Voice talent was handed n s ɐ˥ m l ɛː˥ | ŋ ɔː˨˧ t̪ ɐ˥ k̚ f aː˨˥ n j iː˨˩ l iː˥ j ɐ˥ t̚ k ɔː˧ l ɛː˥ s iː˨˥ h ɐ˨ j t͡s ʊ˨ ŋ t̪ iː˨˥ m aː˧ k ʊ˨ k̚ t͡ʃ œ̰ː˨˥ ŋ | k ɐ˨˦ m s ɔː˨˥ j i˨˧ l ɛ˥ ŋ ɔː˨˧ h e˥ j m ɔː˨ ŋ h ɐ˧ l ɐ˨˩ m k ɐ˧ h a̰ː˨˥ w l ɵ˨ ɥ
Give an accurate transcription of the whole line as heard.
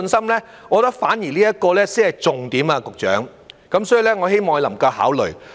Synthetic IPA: n s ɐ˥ m l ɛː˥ | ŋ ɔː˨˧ t̪ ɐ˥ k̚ f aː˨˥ n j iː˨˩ l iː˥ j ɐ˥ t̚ k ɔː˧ l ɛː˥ s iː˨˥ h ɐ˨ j t͡s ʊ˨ ŋ t̪ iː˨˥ m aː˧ k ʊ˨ k̚ t͡ʃ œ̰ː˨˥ ŋ | k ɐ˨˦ m s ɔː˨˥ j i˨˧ l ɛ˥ ŋ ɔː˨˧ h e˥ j m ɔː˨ ŋ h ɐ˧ l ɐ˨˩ m k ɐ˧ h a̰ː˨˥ w l ɵ˨ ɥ